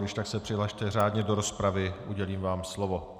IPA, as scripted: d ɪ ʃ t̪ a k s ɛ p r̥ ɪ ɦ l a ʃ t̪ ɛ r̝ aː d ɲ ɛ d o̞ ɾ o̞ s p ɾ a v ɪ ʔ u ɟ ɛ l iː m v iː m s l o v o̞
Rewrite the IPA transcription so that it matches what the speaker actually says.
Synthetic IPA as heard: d ɪ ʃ t̪ a k s ɛ p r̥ ɪ ɦ l a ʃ t̪ ɛ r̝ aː d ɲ ɛ d o̞ ɾ o̞ s p ɾ a v ɪ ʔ u ɟ ɛ l iː m v aː m s l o v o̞